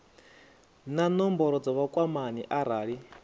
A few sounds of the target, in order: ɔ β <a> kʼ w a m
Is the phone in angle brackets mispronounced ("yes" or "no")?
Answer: no